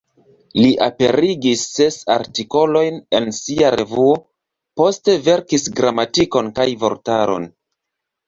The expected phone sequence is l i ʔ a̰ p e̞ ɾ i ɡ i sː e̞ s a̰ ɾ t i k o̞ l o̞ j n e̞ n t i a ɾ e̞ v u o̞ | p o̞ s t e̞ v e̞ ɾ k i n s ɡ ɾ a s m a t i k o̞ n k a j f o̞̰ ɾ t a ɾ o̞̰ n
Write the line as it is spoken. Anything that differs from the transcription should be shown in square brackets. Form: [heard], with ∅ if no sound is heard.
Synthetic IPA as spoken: l i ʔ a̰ p e̞ ɾ i ɡ i sː e̞ s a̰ ɾ t i k o̞ l o̞ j n e̞ n [s] i a ɾ e̞ v u o̞ | p o̞ s t e̞ v e̞ ɾ k i [∅] s ɡ ɾ a [∅] m a t i k o̞ n k a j [v] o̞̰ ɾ t a ɾ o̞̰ n